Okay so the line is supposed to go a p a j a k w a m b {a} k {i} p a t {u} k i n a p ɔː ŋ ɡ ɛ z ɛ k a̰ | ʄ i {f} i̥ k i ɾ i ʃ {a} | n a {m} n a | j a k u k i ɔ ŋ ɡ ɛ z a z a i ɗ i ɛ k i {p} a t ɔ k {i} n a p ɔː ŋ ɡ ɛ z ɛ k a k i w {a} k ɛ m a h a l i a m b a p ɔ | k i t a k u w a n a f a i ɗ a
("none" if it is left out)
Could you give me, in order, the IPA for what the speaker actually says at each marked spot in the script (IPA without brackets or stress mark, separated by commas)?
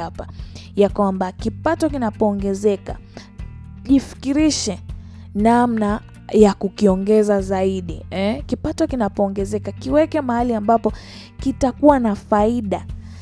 a, i, ɔ, f, ɛ, m, p, i, ɛ